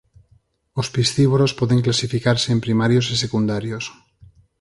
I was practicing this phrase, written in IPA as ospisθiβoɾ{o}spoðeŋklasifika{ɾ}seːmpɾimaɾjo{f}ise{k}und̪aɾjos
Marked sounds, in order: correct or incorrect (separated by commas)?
correct, correct, incorrect, correct